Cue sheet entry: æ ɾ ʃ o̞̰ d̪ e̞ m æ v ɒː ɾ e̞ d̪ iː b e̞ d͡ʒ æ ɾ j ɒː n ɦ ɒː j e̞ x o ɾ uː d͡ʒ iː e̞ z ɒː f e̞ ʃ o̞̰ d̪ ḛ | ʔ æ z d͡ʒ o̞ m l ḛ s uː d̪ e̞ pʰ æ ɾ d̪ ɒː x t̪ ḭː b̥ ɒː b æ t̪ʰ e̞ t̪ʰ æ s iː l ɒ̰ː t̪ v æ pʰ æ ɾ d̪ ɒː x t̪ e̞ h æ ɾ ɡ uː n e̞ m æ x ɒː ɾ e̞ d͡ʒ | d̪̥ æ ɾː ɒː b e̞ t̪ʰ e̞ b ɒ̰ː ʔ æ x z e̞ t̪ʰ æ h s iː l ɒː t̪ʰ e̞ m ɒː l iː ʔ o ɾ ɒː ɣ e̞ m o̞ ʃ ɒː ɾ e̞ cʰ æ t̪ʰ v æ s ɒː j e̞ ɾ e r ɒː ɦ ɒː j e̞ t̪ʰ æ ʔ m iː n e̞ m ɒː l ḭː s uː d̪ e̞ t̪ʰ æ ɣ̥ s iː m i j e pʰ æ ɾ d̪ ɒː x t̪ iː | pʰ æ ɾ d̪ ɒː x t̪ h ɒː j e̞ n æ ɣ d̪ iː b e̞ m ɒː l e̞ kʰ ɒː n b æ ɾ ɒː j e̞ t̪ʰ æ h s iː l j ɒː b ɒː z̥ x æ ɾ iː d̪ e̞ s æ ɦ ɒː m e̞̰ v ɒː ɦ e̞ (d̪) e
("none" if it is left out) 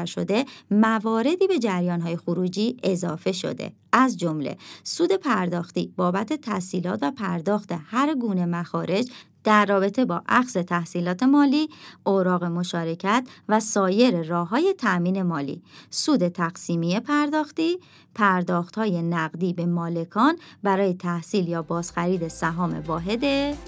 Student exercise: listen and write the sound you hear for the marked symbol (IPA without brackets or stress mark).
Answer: d̪